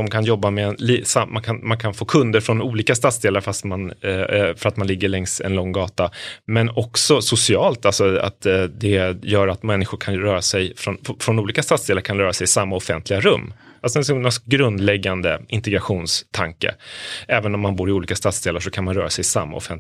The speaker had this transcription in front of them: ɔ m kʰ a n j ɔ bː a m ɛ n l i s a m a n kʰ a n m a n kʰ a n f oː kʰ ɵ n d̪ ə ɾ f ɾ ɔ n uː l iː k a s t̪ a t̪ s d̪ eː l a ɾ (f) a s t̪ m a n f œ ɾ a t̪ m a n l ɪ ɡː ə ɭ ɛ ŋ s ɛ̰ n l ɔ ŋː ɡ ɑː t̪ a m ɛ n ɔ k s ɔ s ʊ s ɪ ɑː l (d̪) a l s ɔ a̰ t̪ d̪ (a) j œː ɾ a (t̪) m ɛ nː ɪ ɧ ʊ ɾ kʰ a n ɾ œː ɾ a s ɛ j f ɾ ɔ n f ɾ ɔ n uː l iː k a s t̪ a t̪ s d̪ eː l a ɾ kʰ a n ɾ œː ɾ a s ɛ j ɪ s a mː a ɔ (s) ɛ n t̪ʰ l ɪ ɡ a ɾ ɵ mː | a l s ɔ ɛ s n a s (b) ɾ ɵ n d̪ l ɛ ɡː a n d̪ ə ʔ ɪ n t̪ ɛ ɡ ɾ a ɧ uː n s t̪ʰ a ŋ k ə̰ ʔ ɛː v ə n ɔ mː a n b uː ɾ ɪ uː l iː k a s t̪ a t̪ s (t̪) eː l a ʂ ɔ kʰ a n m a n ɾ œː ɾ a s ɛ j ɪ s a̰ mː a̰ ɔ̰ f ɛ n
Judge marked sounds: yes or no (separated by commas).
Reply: yes, no, no, yes, no, no, no